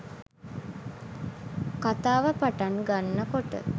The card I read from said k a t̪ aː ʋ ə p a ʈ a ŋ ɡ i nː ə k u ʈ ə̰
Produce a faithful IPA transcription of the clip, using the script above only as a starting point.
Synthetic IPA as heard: k a t̪ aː ʋ ə p a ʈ a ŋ ɡ a nː ə k o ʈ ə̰